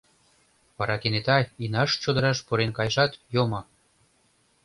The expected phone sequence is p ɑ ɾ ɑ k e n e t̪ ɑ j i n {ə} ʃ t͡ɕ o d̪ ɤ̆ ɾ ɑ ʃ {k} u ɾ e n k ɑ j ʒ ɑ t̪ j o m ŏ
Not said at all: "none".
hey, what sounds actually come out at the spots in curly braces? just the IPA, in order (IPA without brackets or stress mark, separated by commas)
ɑ, p